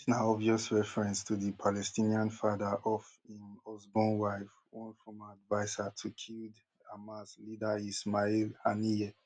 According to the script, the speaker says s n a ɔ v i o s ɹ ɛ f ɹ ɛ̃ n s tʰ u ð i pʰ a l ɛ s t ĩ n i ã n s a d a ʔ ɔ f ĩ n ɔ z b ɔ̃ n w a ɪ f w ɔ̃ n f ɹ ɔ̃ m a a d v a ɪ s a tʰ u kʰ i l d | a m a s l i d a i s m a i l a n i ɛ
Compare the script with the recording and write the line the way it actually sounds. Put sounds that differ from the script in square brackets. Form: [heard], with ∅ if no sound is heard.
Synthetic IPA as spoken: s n a ɔ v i [ɔ] s ɹ ɛ f ɹ ɛ̃ n s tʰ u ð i pʰ a l ɛ s t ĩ n i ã n [f] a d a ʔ ɔ f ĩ n ɔ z b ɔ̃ n w a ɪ f w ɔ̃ n f ɹ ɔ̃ m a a d v a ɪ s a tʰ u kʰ i l d | a m a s l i d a i s m a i l a n i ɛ